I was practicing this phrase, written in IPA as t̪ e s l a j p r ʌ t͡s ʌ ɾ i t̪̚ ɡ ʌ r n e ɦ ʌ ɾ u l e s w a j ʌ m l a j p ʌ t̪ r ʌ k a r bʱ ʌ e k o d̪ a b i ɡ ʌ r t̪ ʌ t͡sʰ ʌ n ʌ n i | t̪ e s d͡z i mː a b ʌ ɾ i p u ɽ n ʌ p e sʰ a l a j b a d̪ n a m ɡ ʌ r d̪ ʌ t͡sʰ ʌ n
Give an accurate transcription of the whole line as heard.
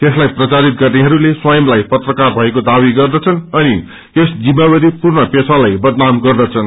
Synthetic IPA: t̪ e s l a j p r ʌ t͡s a ɾ i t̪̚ ɡ ʌ r n e ɦ ʌ ɾ u l e s w a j ʌ m l a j p ʌ t̪ r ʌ k a r bʱ ʌ e k o d̪ a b i ɡ ʌ r d̪ ʌ t͡sʰ ʌ n ʌ n i | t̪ e s d͡z i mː a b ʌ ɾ i p u r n ʌ p e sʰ a l a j b ʌ d̪ n a m ɡ ʌ r d̪ ʌ t͡sʰ ʌ n